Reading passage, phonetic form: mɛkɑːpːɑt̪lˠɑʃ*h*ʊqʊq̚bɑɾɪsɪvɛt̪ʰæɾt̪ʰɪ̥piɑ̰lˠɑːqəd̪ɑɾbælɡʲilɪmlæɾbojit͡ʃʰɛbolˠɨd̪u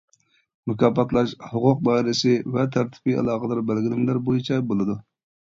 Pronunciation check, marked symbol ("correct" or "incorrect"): correct